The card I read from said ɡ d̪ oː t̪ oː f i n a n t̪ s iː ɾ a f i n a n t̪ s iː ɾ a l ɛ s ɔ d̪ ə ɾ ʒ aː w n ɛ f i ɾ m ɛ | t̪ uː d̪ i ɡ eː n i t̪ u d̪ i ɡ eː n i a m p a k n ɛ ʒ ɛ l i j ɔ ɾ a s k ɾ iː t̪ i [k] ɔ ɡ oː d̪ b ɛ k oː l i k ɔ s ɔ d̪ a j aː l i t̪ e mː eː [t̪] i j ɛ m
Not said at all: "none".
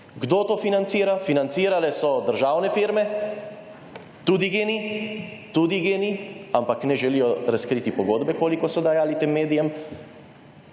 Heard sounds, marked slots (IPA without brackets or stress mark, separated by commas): p, d̪